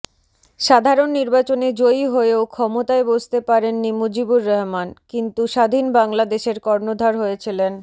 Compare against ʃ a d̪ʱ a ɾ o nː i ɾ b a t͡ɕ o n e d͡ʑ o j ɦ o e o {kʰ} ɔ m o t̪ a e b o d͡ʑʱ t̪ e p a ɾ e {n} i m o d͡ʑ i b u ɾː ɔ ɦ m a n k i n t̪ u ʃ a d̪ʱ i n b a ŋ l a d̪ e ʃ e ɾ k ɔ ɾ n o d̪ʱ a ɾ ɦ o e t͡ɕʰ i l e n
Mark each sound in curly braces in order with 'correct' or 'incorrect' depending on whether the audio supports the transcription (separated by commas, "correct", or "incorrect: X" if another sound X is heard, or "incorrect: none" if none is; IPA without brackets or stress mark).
correct, incorrect: nː